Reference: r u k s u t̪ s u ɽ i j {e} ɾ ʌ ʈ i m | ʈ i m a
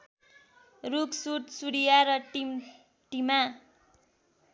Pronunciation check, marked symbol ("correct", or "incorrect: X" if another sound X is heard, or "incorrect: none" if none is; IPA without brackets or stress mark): incorrect: a